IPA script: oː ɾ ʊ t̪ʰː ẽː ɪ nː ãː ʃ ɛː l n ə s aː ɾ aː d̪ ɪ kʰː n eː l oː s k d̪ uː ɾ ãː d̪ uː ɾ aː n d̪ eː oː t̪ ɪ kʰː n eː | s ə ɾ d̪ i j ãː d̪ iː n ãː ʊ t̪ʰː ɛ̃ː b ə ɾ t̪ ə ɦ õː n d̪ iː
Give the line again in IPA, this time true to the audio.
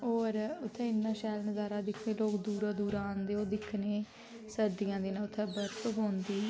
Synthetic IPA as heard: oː ɾ ʊ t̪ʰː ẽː ɪ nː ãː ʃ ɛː l n ə z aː ɾ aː d̪ ɪ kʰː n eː l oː k d̪ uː ɾ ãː d̪ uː ɾ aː n d̪ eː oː d̪ ɪ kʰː n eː | s ə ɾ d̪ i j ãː d̪ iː n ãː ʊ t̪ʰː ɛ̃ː b ə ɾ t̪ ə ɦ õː n d̪ iː